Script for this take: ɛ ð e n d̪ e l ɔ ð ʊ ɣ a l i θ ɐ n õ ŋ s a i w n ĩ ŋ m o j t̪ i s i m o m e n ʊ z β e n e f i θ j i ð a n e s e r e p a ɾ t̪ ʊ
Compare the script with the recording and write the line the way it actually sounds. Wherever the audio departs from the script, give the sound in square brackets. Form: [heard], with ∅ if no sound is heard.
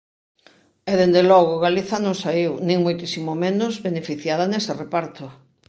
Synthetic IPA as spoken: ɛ ð e n d̪ e l ɔ [ɣ] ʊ ɣ a l i θ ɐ n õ ŋ s a i w n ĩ ŋ m o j t̪ i s i m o m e n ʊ z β e n e f i θ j [a] ð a n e s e r e p a ɾ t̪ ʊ